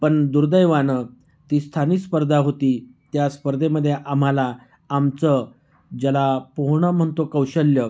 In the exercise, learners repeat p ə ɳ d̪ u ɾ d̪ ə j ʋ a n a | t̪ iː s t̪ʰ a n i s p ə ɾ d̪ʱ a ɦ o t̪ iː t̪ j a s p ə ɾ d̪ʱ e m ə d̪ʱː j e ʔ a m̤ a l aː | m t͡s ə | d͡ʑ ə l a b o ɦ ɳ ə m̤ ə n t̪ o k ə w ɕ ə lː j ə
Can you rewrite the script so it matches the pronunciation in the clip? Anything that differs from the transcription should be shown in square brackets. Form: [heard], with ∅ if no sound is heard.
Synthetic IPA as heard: p ə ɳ d̪ u ɾ d̪ ə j ʋ a n [ə] | t̪ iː s t̪ʰ a n i s p ə ɾ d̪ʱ a ɦ o t̪ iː t̪ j a s p ə ɾ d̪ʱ e m ə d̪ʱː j e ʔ a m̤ a l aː | m t͡s ə | d͡ʑ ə l a [p] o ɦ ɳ ə m̤ ə [ɳ] t̪ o k ə w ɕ ə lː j ə